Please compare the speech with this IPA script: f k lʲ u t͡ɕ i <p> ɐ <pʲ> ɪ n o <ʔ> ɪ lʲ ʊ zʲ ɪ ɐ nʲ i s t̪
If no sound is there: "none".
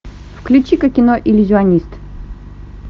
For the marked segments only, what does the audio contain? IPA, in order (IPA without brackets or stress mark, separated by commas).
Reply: k, kʲ, ʔ